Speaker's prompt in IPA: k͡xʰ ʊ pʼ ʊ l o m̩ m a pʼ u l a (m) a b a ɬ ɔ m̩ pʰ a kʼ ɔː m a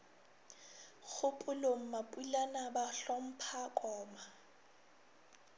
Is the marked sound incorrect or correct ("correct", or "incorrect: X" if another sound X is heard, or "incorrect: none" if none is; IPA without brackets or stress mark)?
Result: incorrect: n